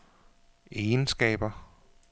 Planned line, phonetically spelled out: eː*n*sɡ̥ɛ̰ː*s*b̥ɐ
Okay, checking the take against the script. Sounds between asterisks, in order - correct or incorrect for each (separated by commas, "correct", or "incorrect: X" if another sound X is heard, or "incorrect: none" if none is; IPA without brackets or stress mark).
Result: correct, incorrect: none